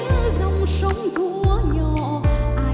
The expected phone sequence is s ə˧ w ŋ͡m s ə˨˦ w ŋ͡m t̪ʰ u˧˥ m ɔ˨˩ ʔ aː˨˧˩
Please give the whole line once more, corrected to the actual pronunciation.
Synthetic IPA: z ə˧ w ŋ͡m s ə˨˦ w ŋ͡m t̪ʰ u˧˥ ɲ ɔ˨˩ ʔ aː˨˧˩